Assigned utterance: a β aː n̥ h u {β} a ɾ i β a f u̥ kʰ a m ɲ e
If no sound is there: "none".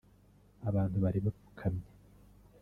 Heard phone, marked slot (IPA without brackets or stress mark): β